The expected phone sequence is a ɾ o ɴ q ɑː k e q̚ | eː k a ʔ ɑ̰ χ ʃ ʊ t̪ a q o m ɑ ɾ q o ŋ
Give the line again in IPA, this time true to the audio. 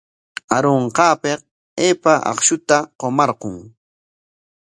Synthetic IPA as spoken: a ɾ o ɴ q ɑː p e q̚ | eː p a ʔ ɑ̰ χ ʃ ʊ t̪ a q o m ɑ ɾ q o ŋ